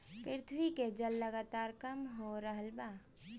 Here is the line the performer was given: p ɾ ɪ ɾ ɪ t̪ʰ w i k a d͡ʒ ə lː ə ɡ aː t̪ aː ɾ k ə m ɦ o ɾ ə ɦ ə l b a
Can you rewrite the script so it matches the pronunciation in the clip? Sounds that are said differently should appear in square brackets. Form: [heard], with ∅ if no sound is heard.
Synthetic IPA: p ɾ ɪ ɾ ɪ t̪ʰ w i k [e] d͡ʒ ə lː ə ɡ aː t̪ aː ɾ k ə m ɦ o ɾ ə ɦ ə l b a